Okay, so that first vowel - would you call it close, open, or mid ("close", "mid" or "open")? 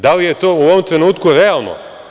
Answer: open